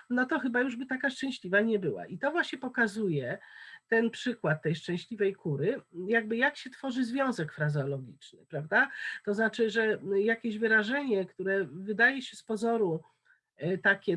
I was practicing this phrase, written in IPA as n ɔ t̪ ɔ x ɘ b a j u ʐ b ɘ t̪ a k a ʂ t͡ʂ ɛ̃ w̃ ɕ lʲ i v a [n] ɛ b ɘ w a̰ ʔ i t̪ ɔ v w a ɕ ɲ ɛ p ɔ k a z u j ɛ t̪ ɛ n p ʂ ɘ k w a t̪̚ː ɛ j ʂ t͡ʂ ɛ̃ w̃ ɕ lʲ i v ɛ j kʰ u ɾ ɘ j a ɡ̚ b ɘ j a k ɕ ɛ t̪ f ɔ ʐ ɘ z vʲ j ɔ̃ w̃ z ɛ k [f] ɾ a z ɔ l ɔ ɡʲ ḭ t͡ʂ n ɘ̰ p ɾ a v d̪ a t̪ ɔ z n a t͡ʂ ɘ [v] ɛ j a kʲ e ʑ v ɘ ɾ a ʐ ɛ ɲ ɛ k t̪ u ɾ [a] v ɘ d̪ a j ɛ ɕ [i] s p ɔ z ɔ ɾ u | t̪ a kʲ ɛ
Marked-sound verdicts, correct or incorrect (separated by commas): incorrect, correct, incorrect, incorrect, incorrect